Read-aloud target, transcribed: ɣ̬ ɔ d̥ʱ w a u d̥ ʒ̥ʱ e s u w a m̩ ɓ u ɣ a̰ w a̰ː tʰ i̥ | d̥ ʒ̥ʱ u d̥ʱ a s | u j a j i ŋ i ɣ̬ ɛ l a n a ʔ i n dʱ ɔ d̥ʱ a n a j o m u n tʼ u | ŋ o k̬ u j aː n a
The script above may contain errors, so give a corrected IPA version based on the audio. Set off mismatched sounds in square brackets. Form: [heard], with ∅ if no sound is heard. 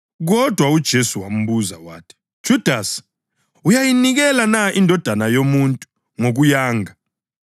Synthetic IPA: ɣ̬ ɔ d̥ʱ w a u d̥ ʒ̥ʱ e s u w a m̩ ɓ u [z] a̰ w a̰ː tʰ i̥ | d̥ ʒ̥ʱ u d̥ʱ a s | u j a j i [n] i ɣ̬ ɛ l a n a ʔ i n dʱ ɔ d̥ʱ a n a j o m u n tʼ u | ŋ o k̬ u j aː [ŋ] a